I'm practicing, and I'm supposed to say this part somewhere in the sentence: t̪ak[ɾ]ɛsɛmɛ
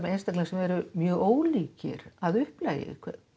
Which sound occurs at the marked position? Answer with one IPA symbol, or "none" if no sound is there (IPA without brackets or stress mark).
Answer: l